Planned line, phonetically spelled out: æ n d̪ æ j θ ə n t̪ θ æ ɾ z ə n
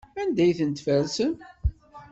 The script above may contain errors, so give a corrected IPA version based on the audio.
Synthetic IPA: æ n d̪ æ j θ ə n t̪ f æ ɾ s ə n